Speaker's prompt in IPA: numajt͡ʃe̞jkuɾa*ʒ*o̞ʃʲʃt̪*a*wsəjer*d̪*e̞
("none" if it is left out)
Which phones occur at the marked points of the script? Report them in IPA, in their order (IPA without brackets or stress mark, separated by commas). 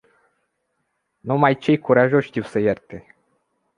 ʒ, i, t̪